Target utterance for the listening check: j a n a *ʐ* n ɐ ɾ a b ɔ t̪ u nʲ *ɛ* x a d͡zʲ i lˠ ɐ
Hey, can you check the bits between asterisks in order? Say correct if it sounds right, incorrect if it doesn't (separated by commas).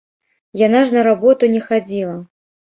correct, correct